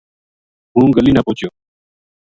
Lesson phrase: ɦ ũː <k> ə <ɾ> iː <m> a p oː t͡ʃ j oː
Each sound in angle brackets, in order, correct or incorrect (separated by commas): incorrect, incorrect, incorrect